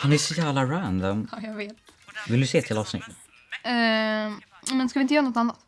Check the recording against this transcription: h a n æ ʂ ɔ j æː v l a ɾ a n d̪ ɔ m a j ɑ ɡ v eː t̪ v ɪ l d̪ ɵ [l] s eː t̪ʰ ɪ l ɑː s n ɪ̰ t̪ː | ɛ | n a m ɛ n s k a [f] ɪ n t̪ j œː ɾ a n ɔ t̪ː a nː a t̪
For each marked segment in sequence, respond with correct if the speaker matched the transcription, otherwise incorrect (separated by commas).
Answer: incorrect, incorrect